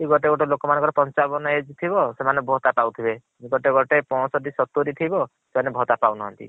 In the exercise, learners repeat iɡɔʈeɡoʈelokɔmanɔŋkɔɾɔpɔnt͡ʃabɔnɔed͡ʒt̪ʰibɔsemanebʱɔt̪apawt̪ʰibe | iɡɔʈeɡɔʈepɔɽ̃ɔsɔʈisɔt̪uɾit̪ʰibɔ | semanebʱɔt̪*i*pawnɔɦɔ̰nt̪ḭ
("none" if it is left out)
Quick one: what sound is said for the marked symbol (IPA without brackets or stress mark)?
a